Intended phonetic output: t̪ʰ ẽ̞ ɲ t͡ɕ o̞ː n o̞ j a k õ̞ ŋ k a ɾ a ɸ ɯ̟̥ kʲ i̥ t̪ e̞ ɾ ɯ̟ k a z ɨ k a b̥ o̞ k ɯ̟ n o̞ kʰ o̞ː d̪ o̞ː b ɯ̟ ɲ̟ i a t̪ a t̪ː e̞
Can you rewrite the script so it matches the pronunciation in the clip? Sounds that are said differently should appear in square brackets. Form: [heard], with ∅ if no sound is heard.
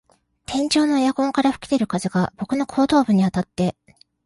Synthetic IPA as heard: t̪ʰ ẽ̞ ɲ t͡ɕ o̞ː n o̞ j a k õ̞ ŋ k a ɾ a ɸ ɯ̟̥ kʲ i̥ t̪ e̞ ɾ ɯ̟ k a z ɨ [ɡ] a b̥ o̞ k ɯ̟ n o̞ kʰ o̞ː [t̪] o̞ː b ɯ̟ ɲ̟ i a t̪ a t̪ː e̞